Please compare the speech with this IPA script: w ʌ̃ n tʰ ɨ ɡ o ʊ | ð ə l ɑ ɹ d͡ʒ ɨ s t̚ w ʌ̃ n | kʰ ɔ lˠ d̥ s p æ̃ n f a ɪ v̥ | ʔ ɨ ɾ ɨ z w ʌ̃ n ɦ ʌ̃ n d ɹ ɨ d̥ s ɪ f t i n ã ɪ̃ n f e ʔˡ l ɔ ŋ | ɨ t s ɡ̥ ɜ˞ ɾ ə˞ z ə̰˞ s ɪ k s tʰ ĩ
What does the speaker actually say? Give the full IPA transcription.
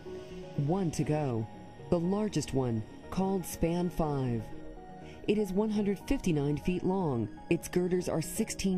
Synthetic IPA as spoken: w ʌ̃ n tʰ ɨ ɡ o ʊ | ð ə l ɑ ɹ d͡ʒ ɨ s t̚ w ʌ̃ n | kʰ ɔ lˠ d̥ s p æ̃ n f a ɪ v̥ | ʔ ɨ ɾ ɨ z w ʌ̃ n ɦ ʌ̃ n d ɹ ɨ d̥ f ɪ f t i n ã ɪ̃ n f i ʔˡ l ɔ̃ ŋ | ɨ t s ɡ̥ ɜ˞ ɾ ə˞ z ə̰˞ s ɪ k s tʰ ĩ